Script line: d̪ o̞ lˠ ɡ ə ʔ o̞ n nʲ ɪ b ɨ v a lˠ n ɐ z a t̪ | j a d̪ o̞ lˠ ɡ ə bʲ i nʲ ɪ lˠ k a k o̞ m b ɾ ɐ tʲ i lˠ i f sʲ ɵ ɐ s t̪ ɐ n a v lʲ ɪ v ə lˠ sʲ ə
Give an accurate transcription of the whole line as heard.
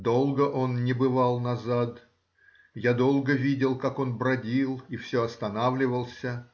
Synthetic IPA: d̪ o̞ lˠ ɡ ə ʔ o̞ n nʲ ɪ b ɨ v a lˠ n ɐ z a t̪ | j a d̪ o̞ lˠ ɡ ə vʲ i dʲ ɪ lˠ k a k o̞ n b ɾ ɐ dʲ i lˠ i f sʲ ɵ ɐ s t̪ ɐ n a v lʲ ɪ v ə lˠ sʲ ə